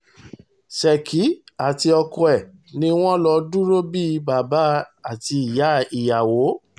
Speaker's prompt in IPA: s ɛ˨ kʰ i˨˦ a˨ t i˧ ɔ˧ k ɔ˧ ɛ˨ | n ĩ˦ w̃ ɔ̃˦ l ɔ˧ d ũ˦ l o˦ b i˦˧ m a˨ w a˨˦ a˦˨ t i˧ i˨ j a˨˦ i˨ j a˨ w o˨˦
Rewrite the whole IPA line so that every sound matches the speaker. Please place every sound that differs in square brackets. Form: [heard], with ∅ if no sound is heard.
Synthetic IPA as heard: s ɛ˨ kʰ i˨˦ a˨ t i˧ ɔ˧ k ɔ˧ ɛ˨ | n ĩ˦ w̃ ɔ̃˦ l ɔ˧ d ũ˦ [ɾ] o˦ b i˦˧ [b] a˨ [b] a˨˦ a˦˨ t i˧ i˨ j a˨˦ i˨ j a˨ w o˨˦